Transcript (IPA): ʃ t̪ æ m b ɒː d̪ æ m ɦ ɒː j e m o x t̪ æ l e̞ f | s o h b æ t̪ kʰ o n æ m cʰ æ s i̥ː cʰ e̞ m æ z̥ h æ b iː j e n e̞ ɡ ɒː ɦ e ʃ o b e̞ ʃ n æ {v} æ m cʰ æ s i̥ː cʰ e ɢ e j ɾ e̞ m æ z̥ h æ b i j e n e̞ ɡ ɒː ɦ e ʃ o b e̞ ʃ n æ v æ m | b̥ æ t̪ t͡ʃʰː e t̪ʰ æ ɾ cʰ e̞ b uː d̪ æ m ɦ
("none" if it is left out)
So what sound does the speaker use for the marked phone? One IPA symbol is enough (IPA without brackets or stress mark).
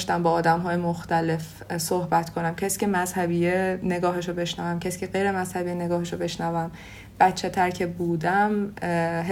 v